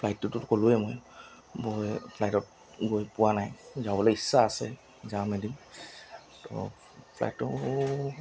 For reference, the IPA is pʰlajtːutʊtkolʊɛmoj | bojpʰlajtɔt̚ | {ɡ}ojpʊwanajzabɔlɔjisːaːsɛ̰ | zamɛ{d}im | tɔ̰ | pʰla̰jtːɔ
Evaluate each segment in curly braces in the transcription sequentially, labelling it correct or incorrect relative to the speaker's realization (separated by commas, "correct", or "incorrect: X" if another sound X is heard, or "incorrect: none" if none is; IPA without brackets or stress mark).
correct, correct